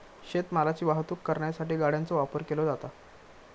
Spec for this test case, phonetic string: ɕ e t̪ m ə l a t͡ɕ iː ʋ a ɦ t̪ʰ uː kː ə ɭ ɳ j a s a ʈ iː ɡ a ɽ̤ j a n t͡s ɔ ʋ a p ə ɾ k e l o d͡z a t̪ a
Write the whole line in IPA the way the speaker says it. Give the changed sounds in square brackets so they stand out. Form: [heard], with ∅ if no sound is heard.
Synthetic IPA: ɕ e t̪ m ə l a t͡ɕ iː ʋ a ɦ [t̪] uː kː ə [ɾ] ɳ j a s a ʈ iː ɡ a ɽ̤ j a n t͡s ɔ ʋ a p ə ɾ k e l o d͡z a t̪ a